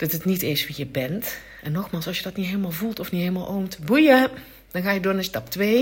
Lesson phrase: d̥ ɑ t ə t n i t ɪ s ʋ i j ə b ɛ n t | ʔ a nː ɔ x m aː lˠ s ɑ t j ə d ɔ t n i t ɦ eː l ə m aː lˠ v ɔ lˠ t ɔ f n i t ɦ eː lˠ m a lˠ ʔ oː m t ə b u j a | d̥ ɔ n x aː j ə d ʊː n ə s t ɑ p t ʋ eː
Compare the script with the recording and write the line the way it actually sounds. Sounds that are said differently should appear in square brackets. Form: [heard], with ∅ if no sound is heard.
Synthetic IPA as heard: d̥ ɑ t ə t n i t ɪ s ʋ i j ə b ɛ n t | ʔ [ɛ] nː ɔ x m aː lˠ s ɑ [s] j ə d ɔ t n i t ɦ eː l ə m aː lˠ v [u] lˠ t ɔ f n i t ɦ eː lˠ m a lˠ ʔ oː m t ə b u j [ə] | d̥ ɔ n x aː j ə d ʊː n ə s t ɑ p t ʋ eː